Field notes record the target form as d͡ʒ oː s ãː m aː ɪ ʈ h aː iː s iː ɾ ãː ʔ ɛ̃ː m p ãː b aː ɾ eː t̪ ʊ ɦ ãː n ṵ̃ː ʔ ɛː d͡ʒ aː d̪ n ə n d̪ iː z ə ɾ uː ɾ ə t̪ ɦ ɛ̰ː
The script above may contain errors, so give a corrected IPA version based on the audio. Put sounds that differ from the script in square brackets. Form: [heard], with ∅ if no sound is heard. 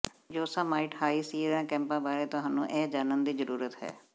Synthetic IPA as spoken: d͡ʒ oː s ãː m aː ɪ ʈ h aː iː s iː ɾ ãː [k] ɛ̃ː m p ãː b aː ɾ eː t̪ ʊ ɦ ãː n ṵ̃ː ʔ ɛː d͡ʒ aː [∅] n ə n d̪ iː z ə ɾ uː ɾ ə t̪ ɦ ɛ̰ː

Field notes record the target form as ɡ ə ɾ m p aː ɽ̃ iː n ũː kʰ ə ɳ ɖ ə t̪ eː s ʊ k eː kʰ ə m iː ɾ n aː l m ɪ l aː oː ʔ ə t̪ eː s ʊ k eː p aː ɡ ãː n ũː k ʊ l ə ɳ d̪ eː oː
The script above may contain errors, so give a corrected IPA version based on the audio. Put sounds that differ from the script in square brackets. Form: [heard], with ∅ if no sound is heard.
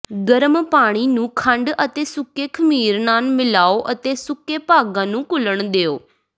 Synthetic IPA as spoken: ɡ ə ɾ m p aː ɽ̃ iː n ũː kʰ ə ɳ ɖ ə t̪ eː s ʊ k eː kʰ ə m iː ɾ n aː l m ɪ l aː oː ʔ ə t̪ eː s ʊ k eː p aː ɡ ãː n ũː k ʊ l ə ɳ d̪ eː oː

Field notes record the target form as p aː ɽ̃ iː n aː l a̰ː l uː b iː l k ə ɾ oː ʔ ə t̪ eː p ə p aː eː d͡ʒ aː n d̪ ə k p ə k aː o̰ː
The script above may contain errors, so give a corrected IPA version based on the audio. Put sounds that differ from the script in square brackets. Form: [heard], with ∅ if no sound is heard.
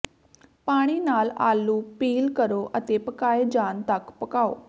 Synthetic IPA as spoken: p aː ɽ̃ iː n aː l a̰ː l uː [p] iː l k ə ɾ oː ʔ ə t̪ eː p ə [k] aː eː d͡ʒ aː n [t̪] ə k p ə k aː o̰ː

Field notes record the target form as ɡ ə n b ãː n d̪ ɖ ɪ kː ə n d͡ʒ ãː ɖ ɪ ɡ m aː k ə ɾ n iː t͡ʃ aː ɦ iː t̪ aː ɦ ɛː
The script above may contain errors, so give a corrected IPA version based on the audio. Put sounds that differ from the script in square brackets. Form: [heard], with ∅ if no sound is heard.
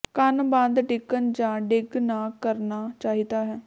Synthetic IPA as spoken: [k] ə n b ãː n d̪ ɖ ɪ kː ə n d͡ʒ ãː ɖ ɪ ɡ [n] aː k ə ɾ n [aː] t͡ʃ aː ɦ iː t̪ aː ɦ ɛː

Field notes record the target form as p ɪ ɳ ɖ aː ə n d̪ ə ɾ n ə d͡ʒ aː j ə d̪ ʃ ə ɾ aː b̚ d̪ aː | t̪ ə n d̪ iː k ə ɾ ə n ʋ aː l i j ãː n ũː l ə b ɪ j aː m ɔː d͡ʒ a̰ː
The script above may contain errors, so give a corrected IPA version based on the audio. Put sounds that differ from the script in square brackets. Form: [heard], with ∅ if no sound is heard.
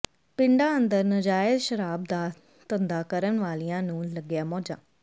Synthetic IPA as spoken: p ɪ ɳ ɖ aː ə n d̪ ə ɾ n ə d͡ʒ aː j ə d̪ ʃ ə ɾ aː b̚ d̪ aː | t̪ ə n d̪ [aː] k ə ɾ ə n ʋ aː l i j ãː n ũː l ə [ɡ] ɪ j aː m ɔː d͡ʒ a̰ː

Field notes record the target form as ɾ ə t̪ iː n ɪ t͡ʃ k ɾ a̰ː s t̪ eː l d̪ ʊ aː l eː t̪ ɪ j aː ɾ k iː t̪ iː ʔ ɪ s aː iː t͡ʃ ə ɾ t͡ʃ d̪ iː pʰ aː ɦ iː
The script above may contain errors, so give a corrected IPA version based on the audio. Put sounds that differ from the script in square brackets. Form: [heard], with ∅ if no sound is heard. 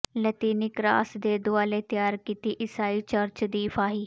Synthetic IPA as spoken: [l] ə t̪ iː n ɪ [∅] k ɾ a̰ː s [d̪] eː [∅] d̪ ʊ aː l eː t̪ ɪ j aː ɾ k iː t̪ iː ʔ ɪ s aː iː t͡ʃ ə ɾ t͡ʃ d̪ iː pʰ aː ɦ iː

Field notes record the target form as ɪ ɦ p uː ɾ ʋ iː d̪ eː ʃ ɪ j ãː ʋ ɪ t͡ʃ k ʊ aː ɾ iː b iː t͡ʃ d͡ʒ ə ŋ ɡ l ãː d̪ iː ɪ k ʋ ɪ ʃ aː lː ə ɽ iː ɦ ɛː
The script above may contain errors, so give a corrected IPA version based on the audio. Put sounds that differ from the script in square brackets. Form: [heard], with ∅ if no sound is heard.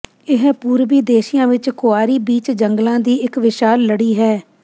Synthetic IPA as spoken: ɪ ɦ p uː ɾ ʋ iː d̪ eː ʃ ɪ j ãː ʋ ɪ t͡ʃ k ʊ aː ɾ iː b iː t͡ʃ d͡ʒ ə ŋ ɡ l ãː d̪ iː ɪ k ʋ ɪ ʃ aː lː ə ɽ iː ɦ ɛː

